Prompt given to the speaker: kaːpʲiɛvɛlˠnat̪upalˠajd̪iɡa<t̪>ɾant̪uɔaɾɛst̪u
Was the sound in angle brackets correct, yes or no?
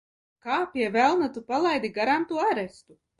no